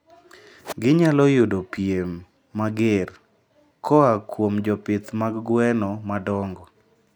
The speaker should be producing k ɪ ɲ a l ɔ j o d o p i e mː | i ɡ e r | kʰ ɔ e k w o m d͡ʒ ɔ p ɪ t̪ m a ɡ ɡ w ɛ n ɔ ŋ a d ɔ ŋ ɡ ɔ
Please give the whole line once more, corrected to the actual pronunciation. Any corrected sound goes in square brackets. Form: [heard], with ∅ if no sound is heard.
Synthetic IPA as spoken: [ɡ] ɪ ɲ a l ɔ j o d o p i e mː | [a] ɡ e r | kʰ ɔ [a] k w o m d͡ʒ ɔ p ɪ t̪ m a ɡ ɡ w ɛ n ɔ [m] a d ɔ ŋ ɡ ɔ